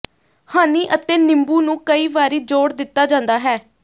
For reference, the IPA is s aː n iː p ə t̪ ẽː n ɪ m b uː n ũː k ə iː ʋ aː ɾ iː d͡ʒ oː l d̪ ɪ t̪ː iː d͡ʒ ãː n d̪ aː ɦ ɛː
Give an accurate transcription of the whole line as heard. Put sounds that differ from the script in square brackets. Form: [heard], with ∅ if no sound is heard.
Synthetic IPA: [h] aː n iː [ʔ] ə t̪ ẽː n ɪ m b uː n ũː k ə iː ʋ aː ɾ iː d͡ʒ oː [ɽ] d̪ ɪ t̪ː [aː] d͡ʒ ãː n d̪ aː ɦ ɛː